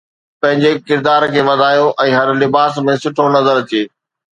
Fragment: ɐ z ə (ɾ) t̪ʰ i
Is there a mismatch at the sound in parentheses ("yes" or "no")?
no